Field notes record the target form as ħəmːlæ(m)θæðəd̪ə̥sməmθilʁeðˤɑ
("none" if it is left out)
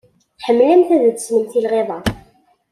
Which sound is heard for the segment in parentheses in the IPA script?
m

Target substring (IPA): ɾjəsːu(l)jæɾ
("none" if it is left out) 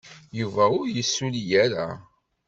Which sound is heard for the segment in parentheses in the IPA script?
l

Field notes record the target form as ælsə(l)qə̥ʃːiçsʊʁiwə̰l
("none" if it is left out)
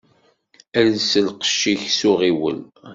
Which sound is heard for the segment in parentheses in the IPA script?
l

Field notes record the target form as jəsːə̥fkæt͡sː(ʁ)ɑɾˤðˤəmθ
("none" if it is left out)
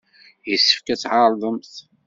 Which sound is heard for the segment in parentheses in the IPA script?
ʕ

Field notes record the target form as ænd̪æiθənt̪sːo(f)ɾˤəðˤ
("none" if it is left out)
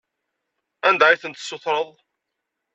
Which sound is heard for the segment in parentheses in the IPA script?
θ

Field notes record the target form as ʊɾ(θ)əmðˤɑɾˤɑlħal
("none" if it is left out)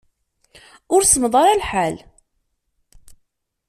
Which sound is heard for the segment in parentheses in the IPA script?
s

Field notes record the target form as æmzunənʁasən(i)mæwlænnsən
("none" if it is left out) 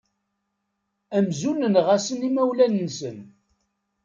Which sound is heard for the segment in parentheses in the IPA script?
i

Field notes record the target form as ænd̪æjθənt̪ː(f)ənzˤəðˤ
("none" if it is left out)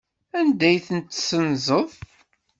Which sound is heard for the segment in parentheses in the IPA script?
s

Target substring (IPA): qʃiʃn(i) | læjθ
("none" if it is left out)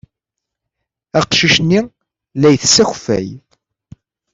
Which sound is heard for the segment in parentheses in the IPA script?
i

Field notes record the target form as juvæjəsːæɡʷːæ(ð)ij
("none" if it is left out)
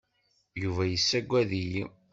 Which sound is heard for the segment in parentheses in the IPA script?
ð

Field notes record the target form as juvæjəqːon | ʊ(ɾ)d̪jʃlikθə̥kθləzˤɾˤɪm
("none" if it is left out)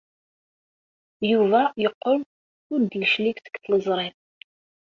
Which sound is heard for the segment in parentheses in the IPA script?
ɾ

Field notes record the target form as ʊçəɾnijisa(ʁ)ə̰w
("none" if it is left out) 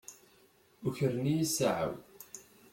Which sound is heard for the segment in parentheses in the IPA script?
ʕ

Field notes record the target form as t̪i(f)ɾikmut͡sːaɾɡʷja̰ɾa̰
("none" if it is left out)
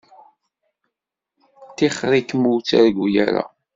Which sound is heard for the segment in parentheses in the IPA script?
χ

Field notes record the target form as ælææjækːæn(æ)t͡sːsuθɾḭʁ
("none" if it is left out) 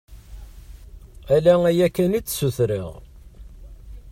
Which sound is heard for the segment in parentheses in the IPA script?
i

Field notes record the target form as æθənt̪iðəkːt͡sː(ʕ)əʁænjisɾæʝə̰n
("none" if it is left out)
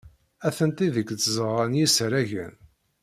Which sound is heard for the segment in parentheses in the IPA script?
z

